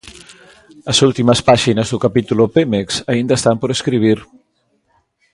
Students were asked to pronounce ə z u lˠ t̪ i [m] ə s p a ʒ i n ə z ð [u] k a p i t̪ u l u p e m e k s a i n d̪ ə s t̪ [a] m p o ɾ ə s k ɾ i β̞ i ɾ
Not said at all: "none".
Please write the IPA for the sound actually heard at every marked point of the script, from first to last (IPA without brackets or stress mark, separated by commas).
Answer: m, u, a